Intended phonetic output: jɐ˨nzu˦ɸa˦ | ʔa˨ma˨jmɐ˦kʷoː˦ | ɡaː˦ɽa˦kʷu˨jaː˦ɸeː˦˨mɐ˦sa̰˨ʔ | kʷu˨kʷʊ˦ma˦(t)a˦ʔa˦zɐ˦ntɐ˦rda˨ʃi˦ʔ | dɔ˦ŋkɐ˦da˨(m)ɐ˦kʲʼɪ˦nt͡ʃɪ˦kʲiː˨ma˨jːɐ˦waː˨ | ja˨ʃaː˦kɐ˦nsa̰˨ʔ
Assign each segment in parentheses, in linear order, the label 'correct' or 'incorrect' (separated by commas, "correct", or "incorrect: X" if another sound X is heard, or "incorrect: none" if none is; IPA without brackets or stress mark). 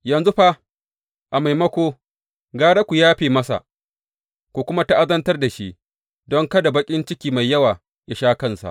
correct, incorrect: b